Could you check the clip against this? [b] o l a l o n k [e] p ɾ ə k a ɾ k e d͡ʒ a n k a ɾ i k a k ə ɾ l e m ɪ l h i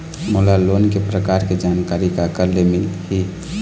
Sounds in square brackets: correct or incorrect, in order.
incorrect: m, correct

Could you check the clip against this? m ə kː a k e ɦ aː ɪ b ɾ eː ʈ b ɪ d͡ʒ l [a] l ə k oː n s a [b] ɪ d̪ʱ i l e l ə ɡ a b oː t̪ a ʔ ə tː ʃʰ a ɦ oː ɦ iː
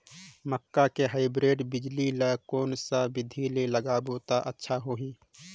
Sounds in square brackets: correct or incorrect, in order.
incorrect: i, correct

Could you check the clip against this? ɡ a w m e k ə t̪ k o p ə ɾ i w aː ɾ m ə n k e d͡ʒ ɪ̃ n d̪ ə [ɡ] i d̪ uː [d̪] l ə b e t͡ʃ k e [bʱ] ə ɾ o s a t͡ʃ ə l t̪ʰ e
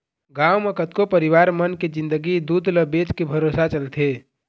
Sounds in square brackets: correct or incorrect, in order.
correct, correct, correct

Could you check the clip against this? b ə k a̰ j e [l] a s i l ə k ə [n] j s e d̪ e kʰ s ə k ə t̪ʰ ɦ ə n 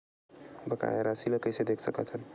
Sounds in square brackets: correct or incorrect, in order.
incorrect: ɾ, incorrect: none

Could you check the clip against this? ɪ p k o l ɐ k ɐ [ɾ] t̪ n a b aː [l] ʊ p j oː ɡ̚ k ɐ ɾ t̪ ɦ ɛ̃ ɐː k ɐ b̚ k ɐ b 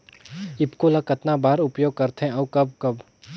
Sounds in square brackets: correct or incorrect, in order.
incorrect: none, incorrect: ɾ

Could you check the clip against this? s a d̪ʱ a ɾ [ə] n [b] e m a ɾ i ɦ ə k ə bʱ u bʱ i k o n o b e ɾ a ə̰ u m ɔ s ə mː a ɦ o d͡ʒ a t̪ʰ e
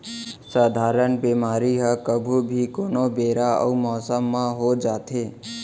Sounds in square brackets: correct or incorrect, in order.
correct, correct

